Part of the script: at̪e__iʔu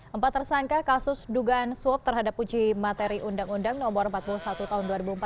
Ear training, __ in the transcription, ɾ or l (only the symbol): ɾ